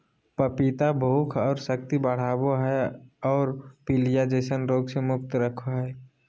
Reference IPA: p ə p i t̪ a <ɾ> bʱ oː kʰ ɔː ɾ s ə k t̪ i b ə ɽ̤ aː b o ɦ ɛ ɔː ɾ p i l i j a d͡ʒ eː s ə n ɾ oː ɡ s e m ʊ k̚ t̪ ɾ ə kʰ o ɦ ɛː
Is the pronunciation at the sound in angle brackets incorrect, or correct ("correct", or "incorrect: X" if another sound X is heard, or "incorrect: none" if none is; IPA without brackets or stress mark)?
incorrect: none